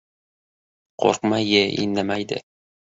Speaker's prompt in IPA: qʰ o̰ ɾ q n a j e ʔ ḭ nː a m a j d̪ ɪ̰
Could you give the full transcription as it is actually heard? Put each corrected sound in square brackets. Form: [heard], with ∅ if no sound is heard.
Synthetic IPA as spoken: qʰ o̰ ɾ q [m] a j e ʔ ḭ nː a m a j d̪ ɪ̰